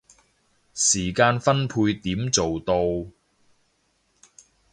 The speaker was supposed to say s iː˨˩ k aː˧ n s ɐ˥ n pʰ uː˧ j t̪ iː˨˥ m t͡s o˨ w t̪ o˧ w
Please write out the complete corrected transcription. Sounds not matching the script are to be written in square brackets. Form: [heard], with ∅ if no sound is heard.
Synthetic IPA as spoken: s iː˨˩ k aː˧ n [f] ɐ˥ n pʰ uː˧ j t̪ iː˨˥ m t͡s o˨ w t̪ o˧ w